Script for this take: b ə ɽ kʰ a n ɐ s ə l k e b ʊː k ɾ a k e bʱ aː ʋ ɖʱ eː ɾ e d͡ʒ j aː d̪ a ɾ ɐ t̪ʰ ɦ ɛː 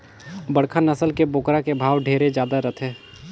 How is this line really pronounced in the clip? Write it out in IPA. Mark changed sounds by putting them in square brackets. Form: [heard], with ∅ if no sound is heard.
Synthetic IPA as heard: b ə ɽ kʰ a n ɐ s ə l k e b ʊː k ɾ a k e bʱ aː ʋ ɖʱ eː ɾ e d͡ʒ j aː d̪ a ɾ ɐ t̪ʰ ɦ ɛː